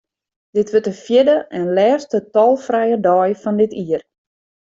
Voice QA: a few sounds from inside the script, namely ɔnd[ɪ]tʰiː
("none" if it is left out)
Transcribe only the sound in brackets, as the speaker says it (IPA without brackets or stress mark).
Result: ɪ